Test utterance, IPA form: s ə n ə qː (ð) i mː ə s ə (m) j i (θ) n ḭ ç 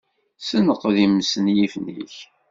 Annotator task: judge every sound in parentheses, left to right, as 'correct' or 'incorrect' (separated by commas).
correct, incorrect, incorrect